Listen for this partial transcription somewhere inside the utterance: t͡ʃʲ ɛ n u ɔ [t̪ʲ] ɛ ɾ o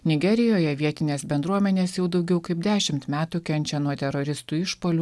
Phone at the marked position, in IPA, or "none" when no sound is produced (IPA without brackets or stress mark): t̪ʲ